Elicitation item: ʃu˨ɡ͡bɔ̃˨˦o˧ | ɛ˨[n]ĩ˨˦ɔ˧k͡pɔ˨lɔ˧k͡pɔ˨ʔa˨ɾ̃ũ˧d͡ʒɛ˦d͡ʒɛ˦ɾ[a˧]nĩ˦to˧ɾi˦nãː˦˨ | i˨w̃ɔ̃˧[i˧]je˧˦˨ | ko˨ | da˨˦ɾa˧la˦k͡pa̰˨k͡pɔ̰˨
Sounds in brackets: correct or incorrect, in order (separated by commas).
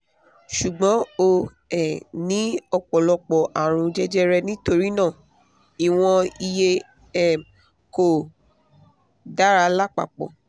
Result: correct, incorrect, correct